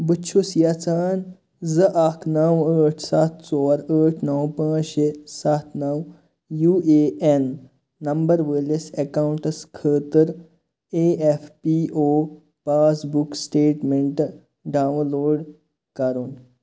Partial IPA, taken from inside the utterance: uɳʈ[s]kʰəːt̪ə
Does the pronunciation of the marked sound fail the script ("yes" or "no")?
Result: no